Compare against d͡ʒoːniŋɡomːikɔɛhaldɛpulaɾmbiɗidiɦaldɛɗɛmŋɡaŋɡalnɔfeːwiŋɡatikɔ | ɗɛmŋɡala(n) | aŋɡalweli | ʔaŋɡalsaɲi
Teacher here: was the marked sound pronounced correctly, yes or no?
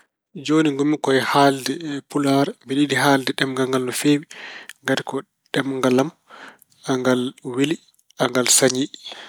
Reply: no